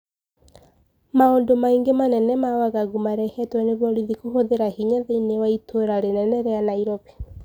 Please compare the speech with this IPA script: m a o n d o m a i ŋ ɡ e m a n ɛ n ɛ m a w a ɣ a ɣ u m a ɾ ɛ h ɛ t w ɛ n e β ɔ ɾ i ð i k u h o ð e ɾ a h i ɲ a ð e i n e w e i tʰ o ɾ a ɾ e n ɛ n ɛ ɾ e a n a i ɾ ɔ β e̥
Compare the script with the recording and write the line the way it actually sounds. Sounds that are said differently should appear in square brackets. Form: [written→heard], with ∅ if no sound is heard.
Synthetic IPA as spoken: m a o n d o m a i ŋ ɡ e m a n ɛ n ɛ m a w a ɣ a ɣ u m a ɾ ɛ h ɛ t w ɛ n e β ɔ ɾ i ð i k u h o ð e ɾ a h i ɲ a ð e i n e w [e→a] i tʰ o ɾ a ɾ e n ɛ n ɛ ɾ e a n a i ɾ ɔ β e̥